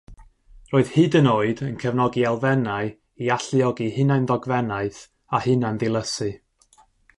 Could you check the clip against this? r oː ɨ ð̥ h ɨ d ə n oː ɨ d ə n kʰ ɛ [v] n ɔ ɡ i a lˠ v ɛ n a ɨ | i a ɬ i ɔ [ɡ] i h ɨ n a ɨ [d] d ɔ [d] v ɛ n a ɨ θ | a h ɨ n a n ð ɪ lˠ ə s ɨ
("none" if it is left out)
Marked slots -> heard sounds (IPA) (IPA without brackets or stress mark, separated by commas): v, ɡ, n, ɡ